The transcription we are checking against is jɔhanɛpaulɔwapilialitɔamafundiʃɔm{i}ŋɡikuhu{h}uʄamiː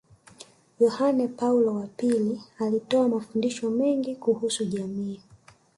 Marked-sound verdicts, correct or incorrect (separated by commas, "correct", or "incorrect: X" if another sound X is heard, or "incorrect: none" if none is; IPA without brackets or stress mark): incorrect: ɛ, incorrect: s